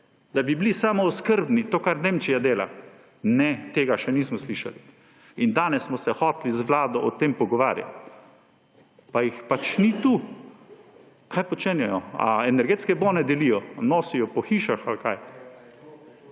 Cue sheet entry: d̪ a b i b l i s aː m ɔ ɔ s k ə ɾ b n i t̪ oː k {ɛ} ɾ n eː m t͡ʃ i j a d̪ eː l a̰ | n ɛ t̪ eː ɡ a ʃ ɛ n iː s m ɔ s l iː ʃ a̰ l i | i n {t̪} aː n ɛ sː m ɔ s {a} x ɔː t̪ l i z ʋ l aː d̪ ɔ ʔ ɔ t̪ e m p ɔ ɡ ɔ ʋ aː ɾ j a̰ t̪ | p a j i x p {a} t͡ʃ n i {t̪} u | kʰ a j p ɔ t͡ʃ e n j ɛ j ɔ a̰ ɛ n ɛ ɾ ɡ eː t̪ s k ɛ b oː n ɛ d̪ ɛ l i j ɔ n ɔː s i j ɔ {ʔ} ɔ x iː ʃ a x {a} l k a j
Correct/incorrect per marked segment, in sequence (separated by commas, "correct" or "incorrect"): incorrect, incorrect, incorrect, correct, correct, incorrect, correct